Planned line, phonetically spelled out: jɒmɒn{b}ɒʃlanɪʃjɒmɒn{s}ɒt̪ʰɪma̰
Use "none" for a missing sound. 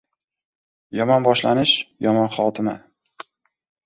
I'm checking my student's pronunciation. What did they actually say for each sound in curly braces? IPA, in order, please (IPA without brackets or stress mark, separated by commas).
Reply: b, χ